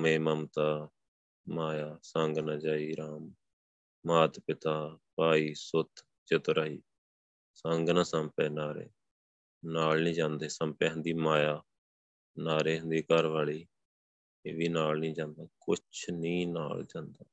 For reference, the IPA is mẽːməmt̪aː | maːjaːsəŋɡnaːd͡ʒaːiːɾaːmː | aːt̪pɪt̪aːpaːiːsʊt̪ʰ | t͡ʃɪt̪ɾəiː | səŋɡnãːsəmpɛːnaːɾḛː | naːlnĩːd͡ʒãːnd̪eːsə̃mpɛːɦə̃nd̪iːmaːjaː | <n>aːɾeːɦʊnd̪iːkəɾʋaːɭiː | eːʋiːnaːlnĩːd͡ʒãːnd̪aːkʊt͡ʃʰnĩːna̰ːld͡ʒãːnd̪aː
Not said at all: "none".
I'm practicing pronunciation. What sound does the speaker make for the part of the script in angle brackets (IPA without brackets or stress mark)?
n